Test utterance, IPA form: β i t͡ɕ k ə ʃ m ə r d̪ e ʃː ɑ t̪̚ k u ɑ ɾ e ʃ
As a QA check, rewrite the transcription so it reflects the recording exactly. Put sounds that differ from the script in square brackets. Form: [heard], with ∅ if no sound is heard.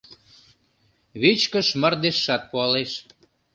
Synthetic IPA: β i t͡ɕ k ə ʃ m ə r d̪ e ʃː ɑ t̪̚ [p] u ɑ [l] e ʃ